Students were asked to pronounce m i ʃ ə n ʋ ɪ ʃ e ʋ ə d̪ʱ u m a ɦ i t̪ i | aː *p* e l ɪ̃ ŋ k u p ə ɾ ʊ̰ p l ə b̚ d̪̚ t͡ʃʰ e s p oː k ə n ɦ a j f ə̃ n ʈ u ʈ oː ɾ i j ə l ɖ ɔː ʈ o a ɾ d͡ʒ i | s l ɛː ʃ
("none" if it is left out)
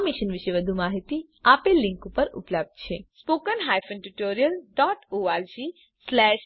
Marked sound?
p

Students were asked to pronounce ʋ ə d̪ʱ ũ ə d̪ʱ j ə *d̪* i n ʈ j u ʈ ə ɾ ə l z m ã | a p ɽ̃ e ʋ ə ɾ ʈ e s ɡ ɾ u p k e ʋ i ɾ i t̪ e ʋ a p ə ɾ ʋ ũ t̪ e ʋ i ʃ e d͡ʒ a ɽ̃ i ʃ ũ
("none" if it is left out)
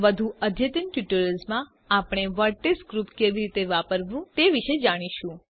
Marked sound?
t̪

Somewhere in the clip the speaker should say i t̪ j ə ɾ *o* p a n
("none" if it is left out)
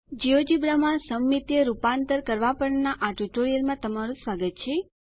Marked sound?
u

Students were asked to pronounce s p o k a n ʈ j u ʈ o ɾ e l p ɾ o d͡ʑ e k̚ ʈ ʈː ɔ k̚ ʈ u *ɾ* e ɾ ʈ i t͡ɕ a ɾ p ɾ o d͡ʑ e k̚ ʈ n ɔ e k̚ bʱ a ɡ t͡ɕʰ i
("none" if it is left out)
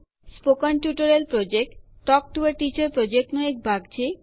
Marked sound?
none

